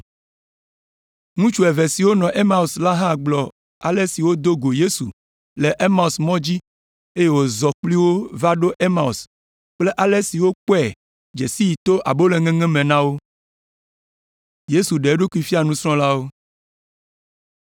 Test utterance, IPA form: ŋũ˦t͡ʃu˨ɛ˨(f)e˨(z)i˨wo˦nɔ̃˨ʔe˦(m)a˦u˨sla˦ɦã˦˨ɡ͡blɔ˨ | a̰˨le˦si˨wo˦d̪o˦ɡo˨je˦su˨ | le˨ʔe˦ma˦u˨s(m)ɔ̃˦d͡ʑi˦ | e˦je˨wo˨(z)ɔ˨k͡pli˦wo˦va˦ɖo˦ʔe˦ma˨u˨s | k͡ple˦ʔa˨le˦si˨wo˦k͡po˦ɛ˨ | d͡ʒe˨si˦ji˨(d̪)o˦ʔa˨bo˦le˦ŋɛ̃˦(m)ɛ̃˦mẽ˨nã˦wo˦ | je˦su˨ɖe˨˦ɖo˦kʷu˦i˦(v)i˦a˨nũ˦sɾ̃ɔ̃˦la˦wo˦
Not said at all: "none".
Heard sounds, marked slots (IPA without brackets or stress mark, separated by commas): v, s, m, m, z, t̪, ŋ, f